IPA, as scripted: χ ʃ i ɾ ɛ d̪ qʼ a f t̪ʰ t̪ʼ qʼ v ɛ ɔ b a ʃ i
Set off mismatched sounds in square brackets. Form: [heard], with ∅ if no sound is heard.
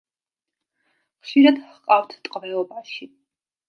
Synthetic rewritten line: χ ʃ i ɾ [a] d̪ qʼ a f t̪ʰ t̪ʼ qʼ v ɛ ɔ b a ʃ i